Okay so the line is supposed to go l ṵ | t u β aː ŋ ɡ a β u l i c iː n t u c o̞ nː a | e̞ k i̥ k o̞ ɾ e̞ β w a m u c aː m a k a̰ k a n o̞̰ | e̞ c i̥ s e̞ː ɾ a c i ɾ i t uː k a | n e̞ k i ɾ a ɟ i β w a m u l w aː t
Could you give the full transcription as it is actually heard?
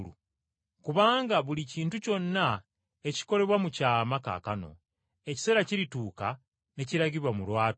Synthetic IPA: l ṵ | k u β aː ŋ ɡ a β u l i c iː n t u c o̞ nː a | e̞ c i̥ k o̞ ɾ e̞ β w a m u c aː m a k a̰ k a n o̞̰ | e̞ c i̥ s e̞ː ɾ a c i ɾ i t uː k a | n e̞ c i ɾ a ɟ i β w a m u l w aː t